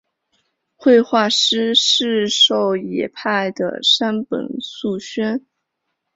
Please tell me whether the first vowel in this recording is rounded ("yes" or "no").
no